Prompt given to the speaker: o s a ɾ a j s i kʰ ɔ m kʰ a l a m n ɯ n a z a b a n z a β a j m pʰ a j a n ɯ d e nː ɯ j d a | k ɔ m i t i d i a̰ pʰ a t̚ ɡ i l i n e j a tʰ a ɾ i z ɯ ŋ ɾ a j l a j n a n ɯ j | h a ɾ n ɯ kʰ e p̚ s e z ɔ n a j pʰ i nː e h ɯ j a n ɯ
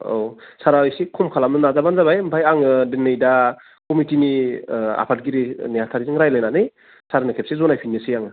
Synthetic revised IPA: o s a ɾ a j s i kʰ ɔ m kʰ a l a m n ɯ n a z a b a n z a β a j m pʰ a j a ŋ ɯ d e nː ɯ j d a | k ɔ m i t i n i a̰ pʰ a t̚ ɡ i ɾ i n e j a tʰ a ɾ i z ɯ ŋ ɾ a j l a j n a n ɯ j | s a ɾ n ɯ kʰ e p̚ s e z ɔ n a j pʰ i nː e s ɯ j a ŋ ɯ